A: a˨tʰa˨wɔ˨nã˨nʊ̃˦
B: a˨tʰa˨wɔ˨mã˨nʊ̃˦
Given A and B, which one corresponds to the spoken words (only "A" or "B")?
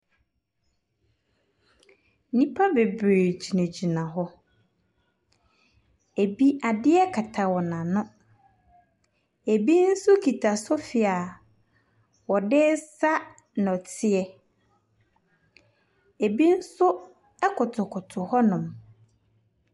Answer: A